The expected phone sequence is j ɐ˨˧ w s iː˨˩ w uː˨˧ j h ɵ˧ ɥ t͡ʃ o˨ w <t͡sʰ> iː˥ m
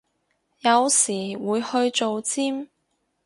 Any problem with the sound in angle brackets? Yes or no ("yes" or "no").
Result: yes